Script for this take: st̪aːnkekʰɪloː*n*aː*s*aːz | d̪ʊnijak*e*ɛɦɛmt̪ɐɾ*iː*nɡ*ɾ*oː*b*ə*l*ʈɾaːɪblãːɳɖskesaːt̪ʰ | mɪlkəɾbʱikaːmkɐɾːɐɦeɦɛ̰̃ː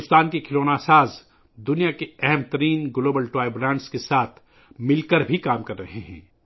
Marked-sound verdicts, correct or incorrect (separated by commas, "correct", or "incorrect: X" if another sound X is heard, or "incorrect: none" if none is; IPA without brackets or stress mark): correct, correct, correct, correct, incorrect: l, correct, correct